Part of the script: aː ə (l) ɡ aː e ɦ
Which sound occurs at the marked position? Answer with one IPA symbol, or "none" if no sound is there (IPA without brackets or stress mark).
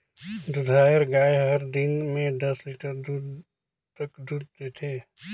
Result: ɾ